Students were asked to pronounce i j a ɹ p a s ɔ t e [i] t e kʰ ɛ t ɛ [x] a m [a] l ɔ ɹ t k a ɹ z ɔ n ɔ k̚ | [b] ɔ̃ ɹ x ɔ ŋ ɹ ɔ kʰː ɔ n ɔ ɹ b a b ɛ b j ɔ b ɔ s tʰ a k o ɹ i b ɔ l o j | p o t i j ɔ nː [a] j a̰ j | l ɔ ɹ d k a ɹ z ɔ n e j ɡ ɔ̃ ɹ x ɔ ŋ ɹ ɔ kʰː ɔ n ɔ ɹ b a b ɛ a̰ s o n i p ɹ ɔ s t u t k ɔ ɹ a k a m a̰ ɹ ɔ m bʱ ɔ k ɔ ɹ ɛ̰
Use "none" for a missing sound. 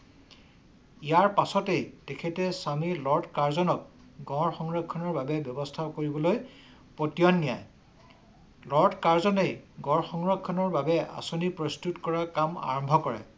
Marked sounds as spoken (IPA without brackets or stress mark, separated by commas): j, s, i, ɡ, i